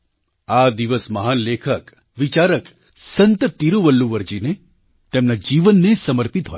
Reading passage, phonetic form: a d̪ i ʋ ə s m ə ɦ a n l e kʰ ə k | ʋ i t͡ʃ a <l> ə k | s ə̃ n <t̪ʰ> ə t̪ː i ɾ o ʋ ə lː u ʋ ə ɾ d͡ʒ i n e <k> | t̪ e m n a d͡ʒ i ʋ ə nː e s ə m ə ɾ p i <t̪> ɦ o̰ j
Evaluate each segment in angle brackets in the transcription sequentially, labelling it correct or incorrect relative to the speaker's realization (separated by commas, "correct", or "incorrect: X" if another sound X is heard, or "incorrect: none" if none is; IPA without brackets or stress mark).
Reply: incorrect: ɾ, incorrect: t̪, incorrect: none, correct